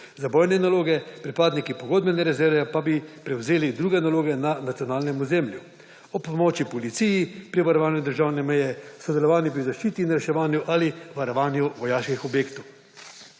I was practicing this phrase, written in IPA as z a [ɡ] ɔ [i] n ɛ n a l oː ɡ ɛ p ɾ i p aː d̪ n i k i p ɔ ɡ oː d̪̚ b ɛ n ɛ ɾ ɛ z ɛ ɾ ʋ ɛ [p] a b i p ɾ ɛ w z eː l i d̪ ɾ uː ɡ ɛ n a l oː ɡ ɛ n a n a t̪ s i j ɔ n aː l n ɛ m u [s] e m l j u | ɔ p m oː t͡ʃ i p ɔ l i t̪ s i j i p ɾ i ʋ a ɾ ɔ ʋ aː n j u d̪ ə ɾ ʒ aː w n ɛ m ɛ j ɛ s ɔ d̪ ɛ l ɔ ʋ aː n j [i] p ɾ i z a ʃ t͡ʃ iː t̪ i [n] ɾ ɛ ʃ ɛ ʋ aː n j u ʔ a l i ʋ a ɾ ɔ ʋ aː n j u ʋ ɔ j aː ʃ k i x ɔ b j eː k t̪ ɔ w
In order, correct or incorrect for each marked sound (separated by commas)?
incorrect, incorrect, correct, incorrect, correct, correct